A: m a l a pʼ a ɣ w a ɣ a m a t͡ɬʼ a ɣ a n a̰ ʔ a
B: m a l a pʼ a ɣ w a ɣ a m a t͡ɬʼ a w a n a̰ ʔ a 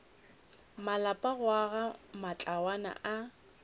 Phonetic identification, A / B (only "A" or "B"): B